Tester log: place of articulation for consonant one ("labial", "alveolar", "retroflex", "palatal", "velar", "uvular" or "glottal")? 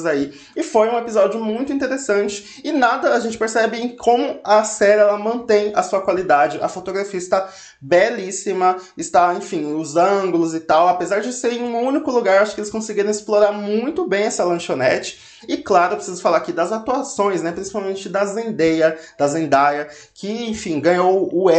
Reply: alveolar